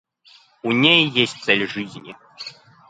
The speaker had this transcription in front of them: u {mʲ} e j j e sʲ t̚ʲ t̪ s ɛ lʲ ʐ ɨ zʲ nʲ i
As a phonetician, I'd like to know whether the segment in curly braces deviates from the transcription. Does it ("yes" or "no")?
yes